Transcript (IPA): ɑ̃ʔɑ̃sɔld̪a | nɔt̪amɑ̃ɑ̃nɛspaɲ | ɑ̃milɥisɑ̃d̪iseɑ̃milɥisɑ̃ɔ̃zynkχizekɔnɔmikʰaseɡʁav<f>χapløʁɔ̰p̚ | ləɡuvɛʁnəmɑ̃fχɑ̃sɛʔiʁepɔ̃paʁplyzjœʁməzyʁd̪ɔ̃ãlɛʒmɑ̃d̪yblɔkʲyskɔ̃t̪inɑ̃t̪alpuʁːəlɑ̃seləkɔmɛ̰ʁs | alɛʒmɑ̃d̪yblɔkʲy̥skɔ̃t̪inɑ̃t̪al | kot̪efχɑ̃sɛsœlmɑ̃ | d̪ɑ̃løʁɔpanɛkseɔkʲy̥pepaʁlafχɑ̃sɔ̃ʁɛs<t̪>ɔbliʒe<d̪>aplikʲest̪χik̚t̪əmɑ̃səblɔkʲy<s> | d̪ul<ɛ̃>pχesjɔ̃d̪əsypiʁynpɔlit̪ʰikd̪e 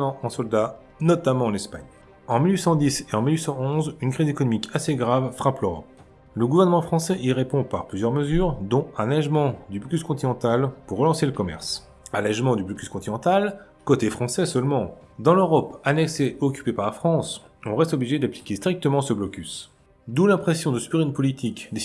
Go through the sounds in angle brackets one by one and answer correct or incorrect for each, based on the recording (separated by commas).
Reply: correct, correct, correct, correct, correct